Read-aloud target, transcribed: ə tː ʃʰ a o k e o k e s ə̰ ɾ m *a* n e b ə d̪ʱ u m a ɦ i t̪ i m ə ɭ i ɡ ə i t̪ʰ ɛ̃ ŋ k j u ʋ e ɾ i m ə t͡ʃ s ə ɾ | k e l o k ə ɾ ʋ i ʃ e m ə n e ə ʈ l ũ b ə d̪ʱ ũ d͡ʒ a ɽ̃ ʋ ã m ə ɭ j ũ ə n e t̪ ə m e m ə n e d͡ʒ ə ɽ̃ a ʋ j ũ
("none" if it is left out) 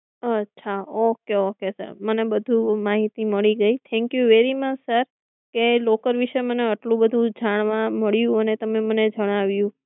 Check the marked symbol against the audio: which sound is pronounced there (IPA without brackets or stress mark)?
ə